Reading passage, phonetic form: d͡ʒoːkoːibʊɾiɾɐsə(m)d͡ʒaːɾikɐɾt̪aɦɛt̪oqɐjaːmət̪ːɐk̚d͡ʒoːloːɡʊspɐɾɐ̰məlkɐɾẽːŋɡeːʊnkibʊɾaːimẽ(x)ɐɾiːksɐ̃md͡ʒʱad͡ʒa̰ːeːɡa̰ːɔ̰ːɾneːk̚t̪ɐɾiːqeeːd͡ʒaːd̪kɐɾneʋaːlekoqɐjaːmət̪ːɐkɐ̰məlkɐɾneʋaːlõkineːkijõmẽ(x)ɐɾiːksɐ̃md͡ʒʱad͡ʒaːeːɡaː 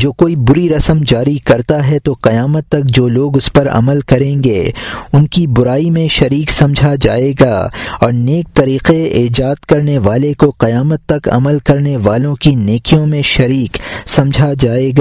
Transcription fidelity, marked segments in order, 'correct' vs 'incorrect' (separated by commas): correct, incorrect, incorrect